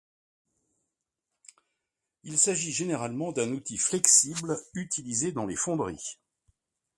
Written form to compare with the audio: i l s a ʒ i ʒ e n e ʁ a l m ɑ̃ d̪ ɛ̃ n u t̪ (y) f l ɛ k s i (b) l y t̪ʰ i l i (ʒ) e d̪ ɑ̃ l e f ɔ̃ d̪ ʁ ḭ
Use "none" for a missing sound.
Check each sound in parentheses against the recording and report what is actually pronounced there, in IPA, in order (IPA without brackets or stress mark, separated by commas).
i, b, z